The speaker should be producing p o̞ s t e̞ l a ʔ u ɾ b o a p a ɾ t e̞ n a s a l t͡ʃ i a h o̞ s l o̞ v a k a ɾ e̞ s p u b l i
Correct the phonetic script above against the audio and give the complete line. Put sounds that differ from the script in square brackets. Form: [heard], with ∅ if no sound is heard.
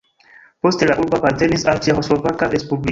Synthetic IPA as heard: p o̞ s t e̞ l a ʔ u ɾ b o a p a ɾ t e̞ n [i] s a l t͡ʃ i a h o̞ s l o̞ v a k a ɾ e̞ s p u b l i